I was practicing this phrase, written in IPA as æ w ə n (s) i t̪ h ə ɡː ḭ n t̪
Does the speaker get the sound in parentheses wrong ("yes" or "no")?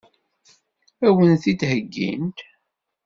yes